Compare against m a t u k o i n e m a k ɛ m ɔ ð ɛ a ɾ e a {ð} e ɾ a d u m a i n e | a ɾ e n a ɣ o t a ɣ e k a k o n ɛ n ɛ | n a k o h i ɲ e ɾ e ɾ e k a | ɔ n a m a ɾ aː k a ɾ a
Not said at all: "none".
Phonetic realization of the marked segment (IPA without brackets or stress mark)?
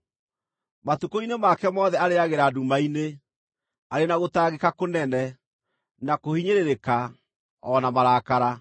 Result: ɣ